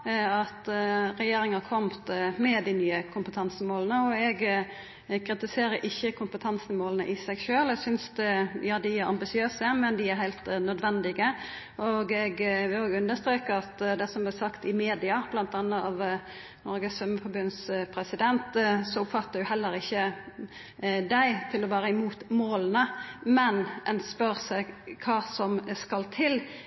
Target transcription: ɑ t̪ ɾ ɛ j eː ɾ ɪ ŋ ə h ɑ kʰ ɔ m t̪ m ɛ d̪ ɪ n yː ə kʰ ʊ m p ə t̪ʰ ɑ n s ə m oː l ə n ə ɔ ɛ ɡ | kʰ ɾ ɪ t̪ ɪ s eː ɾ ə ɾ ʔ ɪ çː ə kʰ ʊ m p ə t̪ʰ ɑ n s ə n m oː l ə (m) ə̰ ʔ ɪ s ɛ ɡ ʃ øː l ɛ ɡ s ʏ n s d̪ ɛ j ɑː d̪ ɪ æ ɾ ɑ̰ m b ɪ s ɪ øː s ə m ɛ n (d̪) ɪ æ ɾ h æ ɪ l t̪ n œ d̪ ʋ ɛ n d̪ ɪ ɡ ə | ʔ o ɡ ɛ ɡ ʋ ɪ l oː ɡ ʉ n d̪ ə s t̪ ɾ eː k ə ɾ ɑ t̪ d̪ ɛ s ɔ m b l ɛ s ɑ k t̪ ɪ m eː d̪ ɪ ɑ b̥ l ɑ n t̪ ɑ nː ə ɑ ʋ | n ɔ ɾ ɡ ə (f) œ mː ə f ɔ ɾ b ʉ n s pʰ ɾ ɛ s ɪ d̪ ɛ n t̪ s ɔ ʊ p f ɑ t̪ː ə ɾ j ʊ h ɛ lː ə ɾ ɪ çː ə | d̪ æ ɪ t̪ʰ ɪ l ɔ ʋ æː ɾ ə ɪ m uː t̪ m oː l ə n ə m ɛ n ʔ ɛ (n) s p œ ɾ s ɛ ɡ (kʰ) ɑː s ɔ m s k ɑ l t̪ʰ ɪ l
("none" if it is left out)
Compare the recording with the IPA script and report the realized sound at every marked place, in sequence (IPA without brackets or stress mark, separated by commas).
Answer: n, d̪, s, n, kʰ